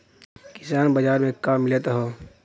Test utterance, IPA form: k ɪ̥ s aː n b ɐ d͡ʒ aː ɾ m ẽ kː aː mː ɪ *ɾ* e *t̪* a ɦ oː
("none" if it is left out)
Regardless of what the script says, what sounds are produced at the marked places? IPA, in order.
l, t̪

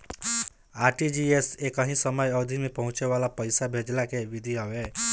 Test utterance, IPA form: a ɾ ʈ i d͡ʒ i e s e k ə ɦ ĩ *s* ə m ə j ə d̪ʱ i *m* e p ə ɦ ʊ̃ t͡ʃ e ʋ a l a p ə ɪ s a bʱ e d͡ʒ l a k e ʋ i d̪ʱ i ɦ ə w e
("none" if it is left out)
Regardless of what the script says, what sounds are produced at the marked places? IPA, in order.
s, m

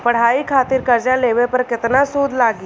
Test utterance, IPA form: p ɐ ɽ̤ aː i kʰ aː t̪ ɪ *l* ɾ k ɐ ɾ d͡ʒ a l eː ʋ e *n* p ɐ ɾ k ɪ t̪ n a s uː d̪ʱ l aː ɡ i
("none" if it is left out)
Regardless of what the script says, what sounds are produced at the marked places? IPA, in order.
none, none

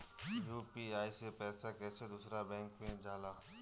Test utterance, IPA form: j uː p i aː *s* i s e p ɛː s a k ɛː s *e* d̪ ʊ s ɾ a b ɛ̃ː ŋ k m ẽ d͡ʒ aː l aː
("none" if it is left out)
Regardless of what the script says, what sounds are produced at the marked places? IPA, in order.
none, e

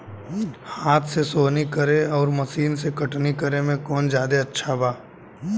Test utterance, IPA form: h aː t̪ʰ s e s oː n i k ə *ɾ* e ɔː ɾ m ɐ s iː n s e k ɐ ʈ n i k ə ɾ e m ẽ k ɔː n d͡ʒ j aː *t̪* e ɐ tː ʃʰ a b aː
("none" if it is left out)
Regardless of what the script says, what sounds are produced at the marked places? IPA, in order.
ɾ, d̪

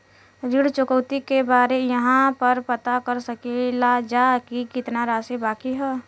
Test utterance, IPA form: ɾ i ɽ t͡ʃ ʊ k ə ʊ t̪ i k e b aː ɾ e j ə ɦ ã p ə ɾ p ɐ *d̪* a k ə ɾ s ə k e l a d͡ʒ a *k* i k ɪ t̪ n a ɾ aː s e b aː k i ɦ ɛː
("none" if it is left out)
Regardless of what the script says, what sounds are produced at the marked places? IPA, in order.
t̪, k

